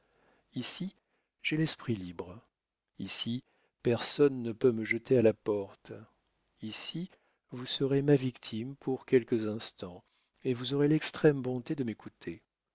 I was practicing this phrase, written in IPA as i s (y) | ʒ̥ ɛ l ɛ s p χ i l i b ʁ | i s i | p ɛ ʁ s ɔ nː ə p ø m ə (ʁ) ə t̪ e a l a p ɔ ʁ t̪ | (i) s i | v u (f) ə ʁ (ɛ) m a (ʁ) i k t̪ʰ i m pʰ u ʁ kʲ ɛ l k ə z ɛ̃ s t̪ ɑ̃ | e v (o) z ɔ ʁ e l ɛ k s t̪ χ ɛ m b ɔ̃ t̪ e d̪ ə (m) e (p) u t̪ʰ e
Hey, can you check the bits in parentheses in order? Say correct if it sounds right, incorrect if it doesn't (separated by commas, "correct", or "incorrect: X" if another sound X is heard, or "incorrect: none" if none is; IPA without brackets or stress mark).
incorrect: i, incorrect: ʒ, correct, incorrect: s, incorrect: e, incorrect: v, incorrect: u, correct, incorrect: k